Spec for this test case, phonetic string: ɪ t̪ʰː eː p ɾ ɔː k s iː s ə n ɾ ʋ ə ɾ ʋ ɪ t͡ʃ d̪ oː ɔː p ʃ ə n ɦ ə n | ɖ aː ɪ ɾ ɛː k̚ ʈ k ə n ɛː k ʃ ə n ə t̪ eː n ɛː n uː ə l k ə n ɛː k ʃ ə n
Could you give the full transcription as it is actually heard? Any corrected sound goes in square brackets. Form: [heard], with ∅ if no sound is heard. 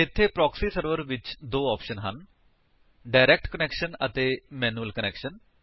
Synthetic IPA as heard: ɪ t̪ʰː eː p ɾ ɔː k s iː s ə [∅] ɾ ʋ ə ɾ ʋ ɪ t͡ʃ d̪ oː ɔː p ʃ ə n ɦ ə n | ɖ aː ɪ ɾ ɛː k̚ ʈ k ə n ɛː k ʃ ə n ə t̪ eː [m] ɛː n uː ə l k ə n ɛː k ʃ ə n